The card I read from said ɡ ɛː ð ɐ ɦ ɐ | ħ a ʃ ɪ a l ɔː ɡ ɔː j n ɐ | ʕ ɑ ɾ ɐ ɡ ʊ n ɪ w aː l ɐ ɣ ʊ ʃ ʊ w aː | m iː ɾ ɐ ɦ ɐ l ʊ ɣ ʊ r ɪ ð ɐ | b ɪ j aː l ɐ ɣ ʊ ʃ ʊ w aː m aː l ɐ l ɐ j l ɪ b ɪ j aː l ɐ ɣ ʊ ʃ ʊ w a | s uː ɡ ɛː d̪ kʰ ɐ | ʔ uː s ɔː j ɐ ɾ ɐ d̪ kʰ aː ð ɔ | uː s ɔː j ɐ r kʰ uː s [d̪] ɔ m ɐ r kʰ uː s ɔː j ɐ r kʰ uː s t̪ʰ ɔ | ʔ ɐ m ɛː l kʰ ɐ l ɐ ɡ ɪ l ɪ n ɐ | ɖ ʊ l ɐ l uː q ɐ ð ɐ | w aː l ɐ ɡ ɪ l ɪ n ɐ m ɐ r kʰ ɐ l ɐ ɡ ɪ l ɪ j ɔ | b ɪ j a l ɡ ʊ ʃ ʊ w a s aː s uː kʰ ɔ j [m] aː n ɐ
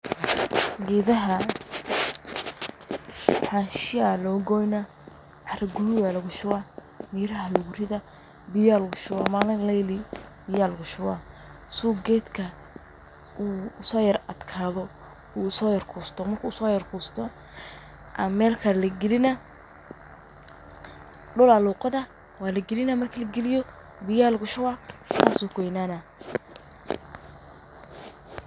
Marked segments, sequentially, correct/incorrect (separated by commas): incorrect, incorrect